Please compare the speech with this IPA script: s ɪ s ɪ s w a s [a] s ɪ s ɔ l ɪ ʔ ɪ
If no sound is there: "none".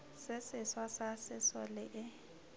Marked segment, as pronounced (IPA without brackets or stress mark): a